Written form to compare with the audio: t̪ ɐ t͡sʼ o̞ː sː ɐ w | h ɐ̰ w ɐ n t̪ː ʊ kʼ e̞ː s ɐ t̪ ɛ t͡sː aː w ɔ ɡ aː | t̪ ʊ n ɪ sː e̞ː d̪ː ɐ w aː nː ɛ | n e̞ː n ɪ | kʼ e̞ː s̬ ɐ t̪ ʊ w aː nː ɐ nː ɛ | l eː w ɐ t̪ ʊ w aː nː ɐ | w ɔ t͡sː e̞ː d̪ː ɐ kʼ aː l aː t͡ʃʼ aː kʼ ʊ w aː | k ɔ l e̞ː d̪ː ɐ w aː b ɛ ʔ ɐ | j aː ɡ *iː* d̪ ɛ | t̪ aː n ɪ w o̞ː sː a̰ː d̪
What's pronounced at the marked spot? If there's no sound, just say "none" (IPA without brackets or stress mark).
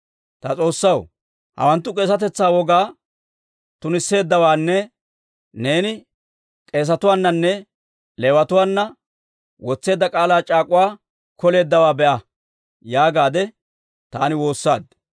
aː